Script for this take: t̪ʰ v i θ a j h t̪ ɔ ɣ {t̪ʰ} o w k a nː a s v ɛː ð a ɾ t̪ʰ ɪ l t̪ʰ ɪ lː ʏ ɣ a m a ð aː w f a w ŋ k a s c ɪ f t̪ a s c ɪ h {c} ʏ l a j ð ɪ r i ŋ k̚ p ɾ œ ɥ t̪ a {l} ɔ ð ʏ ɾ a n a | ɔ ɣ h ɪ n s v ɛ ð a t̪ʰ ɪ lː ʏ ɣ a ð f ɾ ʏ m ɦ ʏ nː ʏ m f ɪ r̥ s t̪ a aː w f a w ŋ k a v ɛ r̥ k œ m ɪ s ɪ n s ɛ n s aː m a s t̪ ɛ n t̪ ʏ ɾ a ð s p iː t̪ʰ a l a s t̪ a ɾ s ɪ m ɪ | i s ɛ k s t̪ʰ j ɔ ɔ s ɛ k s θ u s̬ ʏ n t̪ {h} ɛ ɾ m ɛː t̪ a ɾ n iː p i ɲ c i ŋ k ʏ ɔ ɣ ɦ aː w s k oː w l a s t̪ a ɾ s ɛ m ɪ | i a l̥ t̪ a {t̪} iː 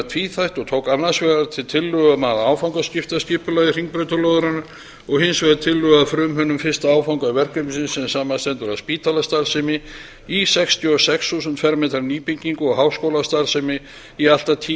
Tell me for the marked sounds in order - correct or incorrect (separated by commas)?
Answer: correct, incorrect, correct, incorrect, incorrect